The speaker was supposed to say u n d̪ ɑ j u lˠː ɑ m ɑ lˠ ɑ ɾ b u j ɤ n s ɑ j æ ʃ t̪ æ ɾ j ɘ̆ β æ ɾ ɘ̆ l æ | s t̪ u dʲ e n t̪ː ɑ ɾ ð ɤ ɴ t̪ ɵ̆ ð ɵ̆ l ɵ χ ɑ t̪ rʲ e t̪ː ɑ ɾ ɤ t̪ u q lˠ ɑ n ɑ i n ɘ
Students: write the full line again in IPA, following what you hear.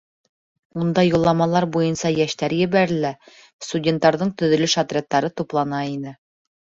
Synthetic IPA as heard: u n d̪ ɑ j u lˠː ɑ m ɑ lˠ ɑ ɾ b u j ɤ n s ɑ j æ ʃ t̪ æ ɾ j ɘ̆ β æ ɾ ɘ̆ l æ | s t̪ u dʲ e n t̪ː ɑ ɾ ð ɤ ɴ t̪ ɵ̆ ð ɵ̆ l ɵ ʃ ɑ t̪ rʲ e t̪ː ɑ ɾ ɤ t̪ u p lˠ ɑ n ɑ i n ɘ